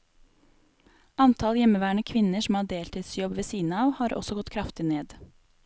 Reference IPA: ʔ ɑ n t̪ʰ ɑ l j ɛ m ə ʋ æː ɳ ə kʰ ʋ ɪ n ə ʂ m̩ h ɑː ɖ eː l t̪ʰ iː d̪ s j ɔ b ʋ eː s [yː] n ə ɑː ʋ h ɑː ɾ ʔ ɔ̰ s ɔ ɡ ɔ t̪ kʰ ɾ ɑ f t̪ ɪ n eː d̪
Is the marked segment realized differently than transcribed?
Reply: yes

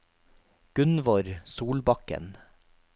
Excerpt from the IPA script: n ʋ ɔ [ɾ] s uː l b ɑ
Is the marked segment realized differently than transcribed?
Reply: no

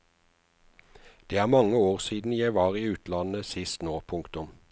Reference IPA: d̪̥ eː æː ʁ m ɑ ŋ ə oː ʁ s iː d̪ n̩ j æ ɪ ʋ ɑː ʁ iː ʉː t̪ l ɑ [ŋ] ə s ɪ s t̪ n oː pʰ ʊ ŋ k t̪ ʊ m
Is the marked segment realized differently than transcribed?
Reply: yes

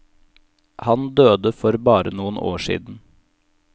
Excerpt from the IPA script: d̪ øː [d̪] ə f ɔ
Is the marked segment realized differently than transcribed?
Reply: no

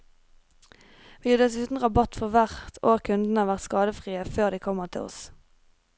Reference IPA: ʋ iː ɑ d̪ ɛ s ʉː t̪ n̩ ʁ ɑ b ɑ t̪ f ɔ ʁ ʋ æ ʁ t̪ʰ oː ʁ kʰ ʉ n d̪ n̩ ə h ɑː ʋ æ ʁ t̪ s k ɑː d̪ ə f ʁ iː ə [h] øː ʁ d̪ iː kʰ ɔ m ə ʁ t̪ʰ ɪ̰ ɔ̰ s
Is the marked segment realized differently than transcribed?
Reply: yes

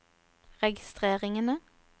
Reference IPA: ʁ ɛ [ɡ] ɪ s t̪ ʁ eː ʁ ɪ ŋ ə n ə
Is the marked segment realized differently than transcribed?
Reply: no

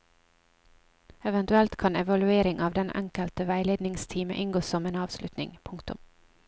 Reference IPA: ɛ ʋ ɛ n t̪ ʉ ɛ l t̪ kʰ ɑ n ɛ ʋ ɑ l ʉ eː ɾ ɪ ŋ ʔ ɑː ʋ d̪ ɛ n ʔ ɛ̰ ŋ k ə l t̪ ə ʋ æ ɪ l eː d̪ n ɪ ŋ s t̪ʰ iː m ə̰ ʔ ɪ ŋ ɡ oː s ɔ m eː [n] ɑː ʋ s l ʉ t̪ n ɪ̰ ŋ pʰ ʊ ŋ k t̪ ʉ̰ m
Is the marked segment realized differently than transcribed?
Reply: no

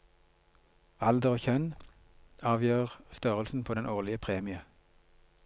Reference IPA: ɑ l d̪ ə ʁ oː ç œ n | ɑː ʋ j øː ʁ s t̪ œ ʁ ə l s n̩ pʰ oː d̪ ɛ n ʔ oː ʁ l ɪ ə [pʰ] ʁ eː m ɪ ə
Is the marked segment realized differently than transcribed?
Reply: no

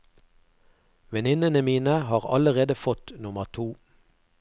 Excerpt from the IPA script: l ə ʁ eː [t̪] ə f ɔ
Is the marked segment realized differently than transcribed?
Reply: yes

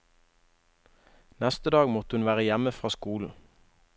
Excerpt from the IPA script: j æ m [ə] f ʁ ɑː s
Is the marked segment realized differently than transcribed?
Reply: no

